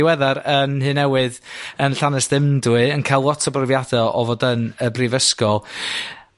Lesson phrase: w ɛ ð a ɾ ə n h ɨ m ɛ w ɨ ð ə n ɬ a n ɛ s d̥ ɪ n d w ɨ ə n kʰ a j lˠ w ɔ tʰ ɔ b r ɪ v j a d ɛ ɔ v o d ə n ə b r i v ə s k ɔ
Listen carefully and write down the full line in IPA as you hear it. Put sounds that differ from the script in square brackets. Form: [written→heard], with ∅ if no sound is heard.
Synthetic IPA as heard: w ɛ ð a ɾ ə n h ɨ [m→n] ɛ w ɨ ð ə n ɬ a n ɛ s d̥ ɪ [n→m] d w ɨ ə n kʰ a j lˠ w ɔ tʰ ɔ b r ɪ v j a d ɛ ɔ v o d ə n ə b r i v ə s k ɔ